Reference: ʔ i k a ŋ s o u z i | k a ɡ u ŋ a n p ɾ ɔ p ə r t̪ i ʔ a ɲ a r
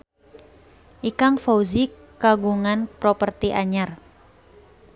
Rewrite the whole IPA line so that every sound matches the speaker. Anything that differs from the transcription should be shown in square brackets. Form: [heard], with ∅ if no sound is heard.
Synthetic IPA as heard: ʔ i k a ŋ [f] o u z i | k a ɡ u ŋ a n p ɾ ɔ p ə r t̪ i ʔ a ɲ a r